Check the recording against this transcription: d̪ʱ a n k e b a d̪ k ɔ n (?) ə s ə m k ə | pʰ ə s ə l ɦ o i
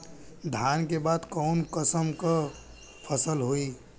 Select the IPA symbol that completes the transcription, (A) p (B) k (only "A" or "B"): B